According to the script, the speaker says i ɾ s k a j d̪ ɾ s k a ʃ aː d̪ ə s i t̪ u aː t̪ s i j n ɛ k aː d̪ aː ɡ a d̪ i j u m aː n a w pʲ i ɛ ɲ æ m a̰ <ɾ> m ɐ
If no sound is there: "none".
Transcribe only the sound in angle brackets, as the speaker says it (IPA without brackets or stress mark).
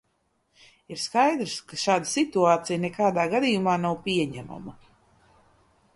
none